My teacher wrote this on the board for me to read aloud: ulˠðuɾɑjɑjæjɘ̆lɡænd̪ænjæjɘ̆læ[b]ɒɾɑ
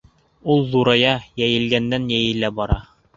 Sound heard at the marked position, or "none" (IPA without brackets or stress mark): b